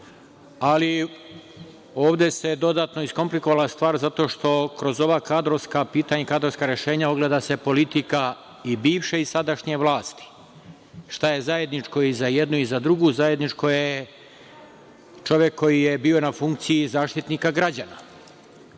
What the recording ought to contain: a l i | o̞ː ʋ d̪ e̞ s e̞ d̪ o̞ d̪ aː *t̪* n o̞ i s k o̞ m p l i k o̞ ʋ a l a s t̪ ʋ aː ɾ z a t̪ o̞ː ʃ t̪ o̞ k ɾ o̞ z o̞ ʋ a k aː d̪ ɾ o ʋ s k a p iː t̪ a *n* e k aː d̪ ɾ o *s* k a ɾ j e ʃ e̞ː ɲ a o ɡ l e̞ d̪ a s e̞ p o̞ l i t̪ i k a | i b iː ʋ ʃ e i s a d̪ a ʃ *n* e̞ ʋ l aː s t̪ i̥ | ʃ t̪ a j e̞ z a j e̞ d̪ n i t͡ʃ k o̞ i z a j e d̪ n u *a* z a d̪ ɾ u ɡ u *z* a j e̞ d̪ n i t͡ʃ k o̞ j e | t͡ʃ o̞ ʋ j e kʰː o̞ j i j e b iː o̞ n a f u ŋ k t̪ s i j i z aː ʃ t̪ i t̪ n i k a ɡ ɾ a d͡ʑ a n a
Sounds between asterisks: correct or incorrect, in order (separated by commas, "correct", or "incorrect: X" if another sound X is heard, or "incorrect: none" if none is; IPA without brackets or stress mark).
correct, incorrect: ɲ, correct, incorrect: ɲ, incorrect: i, correct